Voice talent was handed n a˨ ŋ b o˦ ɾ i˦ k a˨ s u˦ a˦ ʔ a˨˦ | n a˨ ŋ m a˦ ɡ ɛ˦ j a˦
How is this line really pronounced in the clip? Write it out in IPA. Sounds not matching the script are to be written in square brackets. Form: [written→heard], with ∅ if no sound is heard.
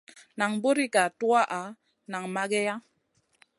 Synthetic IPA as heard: n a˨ ŋ b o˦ ɾ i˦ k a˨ [s→t] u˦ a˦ ʔ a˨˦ | n a˨ ŋ m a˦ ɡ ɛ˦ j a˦